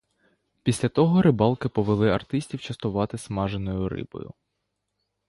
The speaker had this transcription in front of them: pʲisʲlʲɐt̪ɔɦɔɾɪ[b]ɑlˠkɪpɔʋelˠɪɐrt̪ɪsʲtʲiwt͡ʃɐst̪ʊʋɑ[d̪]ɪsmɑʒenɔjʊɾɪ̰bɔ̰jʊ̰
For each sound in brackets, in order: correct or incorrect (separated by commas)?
correct, incorrect